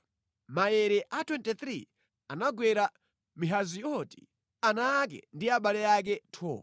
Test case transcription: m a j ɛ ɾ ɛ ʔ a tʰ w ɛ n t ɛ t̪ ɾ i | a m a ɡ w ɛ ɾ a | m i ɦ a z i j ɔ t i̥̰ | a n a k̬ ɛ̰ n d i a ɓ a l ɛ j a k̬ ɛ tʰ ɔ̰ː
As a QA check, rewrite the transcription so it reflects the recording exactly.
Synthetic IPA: m a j ɛ ɾ ɛ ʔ a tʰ w ɛ n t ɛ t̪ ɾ i | a n a ɡ w ɛ ɾ a | m i ɦ a z i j ɔ t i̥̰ | a n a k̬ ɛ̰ n d i a ɓ a l ɛ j a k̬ ɛ tʰ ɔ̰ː